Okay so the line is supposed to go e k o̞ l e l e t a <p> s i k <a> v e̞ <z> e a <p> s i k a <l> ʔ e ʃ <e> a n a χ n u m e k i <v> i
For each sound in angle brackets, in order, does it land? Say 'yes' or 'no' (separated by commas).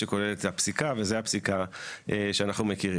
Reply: yes, yes, yes, yes, no, yes, no